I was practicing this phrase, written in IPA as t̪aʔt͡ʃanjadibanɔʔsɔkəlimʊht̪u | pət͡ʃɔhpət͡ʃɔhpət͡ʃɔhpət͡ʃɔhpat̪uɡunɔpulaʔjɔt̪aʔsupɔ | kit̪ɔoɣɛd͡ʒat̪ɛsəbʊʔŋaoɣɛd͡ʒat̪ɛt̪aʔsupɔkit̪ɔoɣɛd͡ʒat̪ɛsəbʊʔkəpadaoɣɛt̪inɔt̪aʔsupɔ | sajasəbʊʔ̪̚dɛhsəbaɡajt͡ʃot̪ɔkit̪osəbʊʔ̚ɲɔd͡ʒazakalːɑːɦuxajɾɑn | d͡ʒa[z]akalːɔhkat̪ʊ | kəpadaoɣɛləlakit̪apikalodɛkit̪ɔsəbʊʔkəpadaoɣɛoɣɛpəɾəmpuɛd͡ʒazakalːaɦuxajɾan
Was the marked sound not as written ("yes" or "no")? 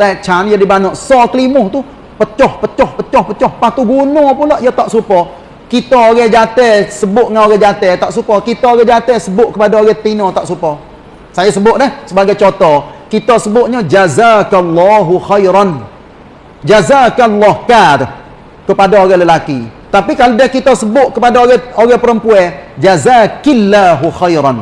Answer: no